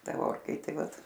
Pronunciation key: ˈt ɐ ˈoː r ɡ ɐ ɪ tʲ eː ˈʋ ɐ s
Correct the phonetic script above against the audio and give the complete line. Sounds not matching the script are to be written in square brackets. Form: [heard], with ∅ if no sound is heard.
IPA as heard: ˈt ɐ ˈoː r [k] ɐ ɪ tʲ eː ˈʋ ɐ [t]